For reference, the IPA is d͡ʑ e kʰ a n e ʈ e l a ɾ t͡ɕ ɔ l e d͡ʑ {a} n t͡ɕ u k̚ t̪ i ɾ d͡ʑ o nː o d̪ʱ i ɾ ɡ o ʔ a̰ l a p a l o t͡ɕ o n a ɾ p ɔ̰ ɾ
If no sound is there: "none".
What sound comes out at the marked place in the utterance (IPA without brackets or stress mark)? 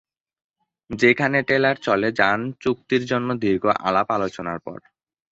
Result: a